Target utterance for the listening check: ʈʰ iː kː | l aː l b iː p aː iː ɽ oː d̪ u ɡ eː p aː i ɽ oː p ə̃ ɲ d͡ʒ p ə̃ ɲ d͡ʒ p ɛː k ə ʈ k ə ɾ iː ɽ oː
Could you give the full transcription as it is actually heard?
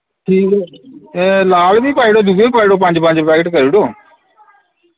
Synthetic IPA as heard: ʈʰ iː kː | l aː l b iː p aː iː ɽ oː d̪ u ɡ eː p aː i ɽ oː p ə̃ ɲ d͡ʒ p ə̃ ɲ d͡ʒ p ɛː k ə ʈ k ə ɾ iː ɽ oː